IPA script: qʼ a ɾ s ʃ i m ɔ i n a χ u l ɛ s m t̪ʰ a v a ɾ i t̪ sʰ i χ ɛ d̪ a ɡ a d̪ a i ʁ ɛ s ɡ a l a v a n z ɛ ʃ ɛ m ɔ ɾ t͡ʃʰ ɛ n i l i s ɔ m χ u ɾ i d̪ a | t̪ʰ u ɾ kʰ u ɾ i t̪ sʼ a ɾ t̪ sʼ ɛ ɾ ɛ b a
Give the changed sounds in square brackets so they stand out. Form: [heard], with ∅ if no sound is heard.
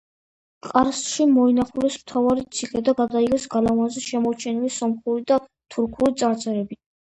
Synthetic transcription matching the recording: qʼ a ɾ s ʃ i m ɔ i n a χ u l ɛ s m t̪ʰ a v a ɾ i t̪ sʰ i χ ɛ d̪ a ɡ a d̪ a i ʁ ɛ s ɡ a l a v a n z ɛ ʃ ɛ m ɔ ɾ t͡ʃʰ ɛ n i l i s ɔ m χ u ɾ i d̪ a | t̪ʰ u ɾ kʰ u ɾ i t̪ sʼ a ɾ t̪ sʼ ɛ ɾ ɛ b [i]